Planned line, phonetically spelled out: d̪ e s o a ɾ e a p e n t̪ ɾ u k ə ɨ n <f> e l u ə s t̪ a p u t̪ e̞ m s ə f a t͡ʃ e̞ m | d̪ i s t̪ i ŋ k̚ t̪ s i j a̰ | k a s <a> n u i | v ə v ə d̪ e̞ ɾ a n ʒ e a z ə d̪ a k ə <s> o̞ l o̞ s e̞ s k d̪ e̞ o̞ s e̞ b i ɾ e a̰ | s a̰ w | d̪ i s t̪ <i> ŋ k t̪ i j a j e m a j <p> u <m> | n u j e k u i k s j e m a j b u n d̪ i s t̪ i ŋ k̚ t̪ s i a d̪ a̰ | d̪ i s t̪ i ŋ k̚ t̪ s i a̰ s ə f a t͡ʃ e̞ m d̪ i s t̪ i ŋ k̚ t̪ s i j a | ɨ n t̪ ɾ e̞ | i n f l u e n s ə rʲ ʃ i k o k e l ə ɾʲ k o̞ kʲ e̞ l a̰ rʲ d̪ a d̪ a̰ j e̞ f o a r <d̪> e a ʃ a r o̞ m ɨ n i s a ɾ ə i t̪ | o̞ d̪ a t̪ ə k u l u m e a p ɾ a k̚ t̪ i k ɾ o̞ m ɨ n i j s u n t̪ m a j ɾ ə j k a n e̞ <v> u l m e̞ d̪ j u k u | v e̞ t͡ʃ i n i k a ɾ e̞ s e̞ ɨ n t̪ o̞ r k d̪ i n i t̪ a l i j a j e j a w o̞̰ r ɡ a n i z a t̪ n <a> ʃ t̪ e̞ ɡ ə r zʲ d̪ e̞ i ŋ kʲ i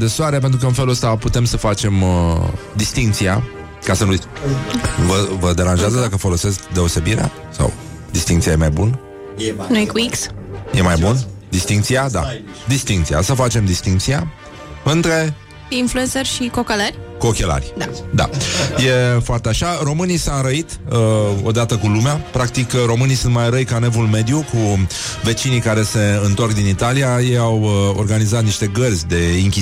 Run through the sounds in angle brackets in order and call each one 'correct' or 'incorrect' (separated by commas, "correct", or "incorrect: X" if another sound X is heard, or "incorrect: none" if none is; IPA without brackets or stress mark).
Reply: correct, incorrect: ə, incorrect: f, correct, incorrect: b, incorrect: n, incorrect: t̪, correct, incorrect: i